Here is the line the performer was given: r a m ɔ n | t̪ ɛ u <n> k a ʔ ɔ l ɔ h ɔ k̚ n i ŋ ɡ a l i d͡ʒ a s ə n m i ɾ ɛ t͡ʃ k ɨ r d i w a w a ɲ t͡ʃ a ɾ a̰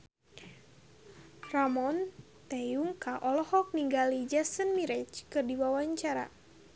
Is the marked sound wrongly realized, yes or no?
yes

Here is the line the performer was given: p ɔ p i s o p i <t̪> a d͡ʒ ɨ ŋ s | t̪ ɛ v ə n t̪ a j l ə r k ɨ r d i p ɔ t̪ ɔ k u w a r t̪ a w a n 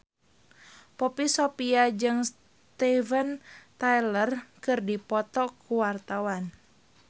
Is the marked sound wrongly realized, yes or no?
yes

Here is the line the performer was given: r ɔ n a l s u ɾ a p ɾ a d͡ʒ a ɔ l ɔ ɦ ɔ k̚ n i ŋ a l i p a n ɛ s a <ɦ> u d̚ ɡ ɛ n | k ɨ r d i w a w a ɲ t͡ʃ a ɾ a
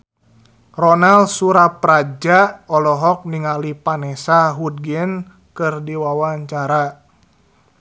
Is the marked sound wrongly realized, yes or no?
no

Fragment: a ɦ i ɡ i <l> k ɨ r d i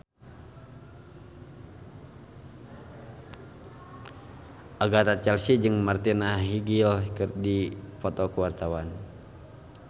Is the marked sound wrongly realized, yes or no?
no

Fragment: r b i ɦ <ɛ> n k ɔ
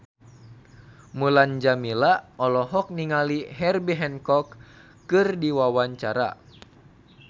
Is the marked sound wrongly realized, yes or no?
no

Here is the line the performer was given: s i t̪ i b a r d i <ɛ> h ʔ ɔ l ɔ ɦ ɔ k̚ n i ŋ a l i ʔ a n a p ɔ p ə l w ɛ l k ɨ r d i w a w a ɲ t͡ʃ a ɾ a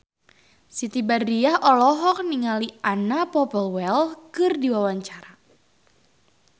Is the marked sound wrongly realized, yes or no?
yes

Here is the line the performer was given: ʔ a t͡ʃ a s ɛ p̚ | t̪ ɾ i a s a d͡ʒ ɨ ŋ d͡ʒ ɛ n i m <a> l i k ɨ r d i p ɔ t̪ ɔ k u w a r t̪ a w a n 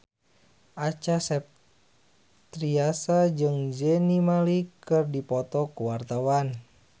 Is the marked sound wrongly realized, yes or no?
no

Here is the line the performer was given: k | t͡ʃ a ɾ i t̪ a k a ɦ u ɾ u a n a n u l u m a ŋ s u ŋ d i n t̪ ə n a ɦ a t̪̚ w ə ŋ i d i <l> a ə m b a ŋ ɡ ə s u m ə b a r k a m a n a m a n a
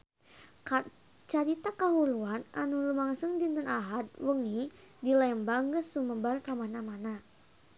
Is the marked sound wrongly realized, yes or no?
no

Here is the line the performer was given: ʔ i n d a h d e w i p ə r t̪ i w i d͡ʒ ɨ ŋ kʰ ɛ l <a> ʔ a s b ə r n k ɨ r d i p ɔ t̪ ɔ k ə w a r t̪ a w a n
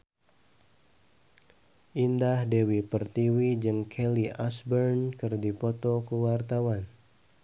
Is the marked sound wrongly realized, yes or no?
yes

